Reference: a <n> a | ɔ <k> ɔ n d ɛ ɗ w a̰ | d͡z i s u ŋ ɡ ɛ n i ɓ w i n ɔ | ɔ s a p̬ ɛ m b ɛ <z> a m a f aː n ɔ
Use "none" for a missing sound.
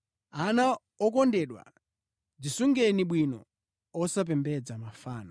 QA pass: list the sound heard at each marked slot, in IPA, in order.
n, k, d͡z

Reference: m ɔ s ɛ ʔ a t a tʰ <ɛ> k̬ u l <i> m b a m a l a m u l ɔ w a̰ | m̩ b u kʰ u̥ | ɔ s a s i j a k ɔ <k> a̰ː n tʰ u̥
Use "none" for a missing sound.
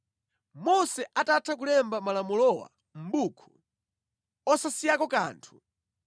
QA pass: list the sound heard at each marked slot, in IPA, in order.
a, ɛ, k

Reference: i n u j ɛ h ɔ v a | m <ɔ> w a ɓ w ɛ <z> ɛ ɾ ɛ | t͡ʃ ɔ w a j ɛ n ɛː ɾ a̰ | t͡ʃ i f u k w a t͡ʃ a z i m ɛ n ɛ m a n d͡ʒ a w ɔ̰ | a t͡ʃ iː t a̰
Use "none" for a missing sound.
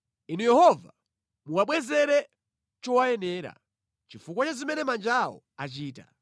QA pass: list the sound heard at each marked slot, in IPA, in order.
u, z

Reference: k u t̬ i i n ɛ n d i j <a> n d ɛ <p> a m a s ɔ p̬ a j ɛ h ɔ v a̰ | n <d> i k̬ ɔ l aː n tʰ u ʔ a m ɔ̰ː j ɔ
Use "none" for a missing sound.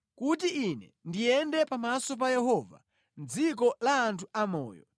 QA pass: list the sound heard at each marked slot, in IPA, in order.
ɛ, p, d͡z

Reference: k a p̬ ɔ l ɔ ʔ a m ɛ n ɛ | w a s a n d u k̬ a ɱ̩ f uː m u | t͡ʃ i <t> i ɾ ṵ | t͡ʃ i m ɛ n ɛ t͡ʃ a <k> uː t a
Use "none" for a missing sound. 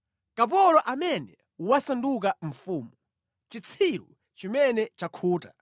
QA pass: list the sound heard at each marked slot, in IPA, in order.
t͡sʰ, kʰ

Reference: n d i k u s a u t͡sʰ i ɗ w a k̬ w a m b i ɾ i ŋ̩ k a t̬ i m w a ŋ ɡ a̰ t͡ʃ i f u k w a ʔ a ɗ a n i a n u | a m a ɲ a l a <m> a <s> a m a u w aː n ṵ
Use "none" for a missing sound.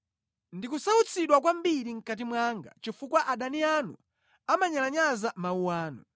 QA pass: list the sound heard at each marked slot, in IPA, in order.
ɲ, z

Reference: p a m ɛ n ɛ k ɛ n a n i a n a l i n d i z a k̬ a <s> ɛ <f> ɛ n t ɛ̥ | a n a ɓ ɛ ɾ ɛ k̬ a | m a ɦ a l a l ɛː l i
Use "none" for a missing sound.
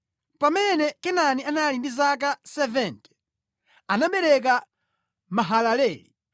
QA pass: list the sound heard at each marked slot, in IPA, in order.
s, v

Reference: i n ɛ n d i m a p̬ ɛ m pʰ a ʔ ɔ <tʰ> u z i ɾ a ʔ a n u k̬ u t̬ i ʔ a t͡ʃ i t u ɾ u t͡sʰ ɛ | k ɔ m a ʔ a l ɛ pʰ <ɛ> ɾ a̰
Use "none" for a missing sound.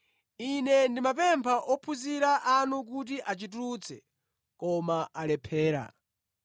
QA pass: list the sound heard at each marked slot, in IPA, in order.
pʰ, ɛː

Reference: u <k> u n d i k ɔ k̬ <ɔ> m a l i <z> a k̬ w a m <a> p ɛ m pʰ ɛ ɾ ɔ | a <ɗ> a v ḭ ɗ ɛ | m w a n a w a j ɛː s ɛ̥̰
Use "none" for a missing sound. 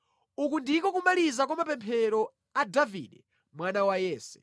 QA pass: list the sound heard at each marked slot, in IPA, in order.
k, u, z, a, d

